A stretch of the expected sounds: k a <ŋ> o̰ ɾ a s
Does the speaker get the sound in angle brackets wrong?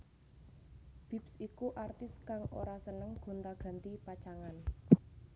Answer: no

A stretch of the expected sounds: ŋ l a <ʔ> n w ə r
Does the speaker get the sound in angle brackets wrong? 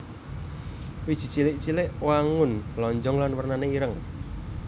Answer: yes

